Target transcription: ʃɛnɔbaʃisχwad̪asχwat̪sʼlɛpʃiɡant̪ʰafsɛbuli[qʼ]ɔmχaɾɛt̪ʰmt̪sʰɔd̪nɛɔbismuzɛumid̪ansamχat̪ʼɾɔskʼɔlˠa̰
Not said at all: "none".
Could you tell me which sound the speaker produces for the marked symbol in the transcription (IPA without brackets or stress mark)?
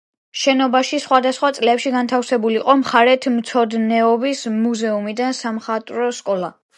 qʼ